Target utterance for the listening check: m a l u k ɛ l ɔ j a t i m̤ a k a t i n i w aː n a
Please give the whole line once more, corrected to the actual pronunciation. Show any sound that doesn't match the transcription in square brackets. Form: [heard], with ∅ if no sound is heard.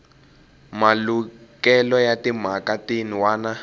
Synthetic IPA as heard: m a l u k ɛ l ɔ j a t i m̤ a k a t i n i w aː n a